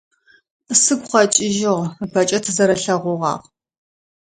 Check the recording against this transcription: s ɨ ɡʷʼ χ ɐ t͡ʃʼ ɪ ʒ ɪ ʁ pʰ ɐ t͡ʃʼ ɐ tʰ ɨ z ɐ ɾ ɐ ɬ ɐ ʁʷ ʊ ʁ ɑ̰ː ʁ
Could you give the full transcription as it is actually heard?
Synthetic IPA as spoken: s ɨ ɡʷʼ χ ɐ t͡ʃʼ ɪ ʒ ɪ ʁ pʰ ɐ t͡ʃʼ ɐ tʰ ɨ z ɐ ɾ ɐ ɬ ɐ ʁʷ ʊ ʁ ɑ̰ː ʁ